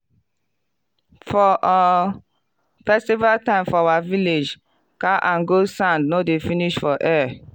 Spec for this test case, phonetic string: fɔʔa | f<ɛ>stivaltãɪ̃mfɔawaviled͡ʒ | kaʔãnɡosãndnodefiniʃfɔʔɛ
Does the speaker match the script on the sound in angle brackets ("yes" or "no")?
yes